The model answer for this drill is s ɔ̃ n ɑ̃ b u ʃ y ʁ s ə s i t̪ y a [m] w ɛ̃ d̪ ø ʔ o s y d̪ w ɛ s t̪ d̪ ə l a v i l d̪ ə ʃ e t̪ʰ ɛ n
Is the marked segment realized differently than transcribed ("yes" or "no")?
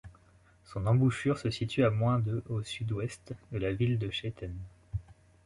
no